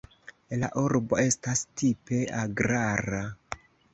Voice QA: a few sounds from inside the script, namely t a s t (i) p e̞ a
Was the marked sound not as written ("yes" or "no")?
no